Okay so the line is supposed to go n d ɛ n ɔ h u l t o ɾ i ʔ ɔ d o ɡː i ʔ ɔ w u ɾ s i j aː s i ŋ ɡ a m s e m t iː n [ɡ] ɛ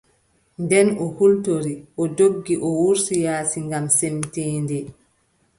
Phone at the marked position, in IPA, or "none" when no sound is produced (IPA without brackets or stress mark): d